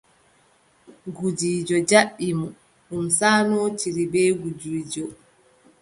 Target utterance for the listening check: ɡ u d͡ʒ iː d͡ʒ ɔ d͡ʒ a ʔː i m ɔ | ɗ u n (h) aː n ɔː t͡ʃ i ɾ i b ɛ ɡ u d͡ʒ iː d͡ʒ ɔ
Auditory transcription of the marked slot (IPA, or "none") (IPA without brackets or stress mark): s